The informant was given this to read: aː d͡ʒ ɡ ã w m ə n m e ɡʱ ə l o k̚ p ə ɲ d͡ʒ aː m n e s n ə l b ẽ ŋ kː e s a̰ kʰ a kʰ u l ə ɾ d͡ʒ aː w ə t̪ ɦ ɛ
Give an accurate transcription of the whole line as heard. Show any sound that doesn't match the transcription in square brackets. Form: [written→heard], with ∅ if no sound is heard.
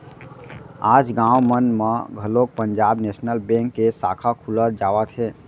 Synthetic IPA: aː d͡ʒ ɡ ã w m ə n m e ɡʱ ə l o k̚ p ə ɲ d͡ʒ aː [m→b] n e s n ə l b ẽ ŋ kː e s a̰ kʰ a kʰ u l ə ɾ d͡ʒ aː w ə t̪ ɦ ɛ